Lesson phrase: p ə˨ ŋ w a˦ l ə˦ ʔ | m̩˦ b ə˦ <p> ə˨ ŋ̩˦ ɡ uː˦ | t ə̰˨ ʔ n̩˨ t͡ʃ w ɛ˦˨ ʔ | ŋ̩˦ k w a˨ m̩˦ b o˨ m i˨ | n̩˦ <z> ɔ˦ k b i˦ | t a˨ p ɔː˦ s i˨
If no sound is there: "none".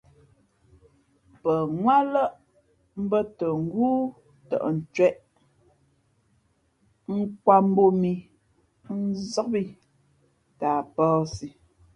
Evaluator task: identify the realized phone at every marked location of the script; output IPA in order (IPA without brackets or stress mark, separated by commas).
t, z